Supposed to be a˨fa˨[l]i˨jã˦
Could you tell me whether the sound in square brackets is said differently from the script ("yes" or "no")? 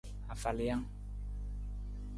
no